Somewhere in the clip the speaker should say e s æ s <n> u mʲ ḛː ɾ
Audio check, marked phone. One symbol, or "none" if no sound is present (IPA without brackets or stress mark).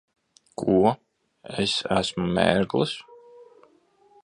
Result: m